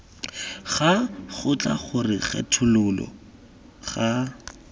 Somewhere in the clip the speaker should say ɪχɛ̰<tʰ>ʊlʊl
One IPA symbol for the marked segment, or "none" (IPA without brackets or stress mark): tʰ